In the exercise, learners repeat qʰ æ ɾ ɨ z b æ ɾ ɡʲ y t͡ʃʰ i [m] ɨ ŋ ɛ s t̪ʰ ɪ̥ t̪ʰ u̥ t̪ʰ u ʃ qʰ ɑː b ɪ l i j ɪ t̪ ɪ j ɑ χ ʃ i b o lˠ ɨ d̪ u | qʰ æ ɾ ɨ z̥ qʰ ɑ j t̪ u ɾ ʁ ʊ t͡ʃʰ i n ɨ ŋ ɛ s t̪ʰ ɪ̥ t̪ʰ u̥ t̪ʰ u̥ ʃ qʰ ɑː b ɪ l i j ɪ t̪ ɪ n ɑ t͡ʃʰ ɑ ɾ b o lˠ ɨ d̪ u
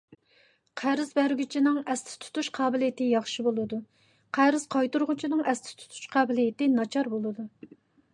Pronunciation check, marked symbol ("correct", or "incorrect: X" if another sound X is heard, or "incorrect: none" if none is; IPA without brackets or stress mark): incorrect: n